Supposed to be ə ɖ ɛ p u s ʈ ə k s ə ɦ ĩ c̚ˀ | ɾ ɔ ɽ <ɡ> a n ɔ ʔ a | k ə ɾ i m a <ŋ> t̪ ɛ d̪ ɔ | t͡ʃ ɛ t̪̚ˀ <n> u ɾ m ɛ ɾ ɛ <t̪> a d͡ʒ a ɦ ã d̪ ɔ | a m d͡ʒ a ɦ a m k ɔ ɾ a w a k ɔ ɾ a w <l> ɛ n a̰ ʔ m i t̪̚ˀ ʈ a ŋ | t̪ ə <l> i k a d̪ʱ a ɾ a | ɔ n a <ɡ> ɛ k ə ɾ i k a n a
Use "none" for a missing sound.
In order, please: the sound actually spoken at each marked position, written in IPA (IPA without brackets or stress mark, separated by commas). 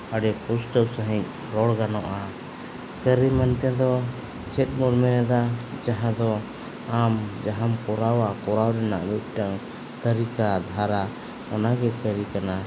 ɡ, n, m, d̪, ɾ, ɾ, ɡ